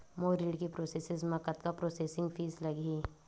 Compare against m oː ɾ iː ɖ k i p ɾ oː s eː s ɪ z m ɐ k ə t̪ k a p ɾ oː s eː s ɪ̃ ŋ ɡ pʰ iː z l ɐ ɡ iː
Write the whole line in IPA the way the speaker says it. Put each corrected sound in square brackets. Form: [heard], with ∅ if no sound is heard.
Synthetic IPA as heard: m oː ɾ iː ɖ k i p ɾ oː s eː s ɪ z m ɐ k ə t̪ k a p ɾ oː s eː s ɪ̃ ŋ ɡ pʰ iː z l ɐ ɡ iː